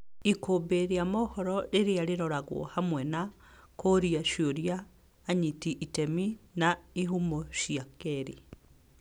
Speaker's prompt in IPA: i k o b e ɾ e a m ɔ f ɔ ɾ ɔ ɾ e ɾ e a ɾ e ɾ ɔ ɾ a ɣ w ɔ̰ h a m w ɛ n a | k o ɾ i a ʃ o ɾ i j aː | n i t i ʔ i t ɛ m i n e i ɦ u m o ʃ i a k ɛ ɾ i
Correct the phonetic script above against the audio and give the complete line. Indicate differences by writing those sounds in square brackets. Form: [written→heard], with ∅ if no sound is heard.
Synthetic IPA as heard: i k o b e ɾ e a m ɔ [f→h] ɔ ɾ ɔ ɾ e ɾ e a ɾ e ɾ ɔ ɾ a ɣ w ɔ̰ h a m w ɛ n a | k o ɾ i a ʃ o ɾ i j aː | [n→ɲ] i t i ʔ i t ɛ m i n [e→a] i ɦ u m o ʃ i a k ɛ ɾ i